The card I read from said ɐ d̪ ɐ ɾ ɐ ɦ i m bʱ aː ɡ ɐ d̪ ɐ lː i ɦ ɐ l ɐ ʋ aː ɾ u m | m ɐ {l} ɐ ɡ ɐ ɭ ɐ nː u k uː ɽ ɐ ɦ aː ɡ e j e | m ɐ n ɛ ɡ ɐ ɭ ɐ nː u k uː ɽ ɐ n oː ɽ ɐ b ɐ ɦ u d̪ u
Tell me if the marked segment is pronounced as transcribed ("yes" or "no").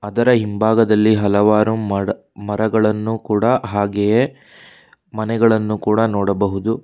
no